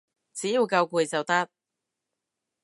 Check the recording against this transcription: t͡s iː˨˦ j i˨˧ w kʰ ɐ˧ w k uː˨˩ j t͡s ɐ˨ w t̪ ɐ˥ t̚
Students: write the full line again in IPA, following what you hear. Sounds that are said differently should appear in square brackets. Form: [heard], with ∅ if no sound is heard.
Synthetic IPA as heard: t͡s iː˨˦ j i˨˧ w [k] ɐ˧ w k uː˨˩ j t͡s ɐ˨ w t̪ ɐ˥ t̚